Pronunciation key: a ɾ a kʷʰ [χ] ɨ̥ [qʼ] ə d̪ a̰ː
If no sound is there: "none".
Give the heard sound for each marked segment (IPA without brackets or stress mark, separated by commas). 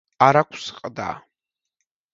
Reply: s, qʼ